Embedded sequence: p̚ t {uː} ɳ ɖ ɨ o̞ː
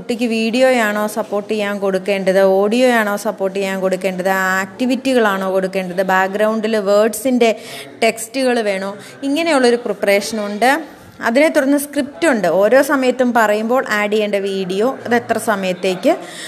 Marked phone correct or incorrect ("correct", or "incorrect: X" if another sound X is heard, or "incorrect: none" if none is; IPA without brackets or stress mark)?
incorrect: u